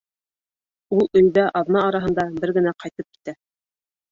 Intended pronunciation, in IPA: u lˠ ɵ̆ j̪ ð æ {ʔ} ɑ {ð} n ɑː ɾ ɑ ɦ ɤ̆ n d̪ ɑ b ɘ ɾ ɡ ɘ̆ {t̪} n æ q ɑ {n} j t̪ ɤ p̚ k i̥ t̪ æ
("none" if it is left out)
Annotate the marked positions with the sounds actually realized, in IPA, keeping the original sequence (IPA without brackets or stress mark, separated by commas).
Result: ʔ, ð, none, none